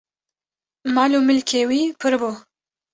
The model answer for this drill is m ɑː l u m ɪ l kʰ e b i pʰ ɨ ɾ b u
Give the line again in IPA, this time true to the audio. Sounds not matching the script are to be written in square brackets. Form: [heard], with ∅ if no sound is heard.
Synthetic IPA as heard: m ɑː l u m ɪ l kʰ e [w] i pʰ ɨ ɾ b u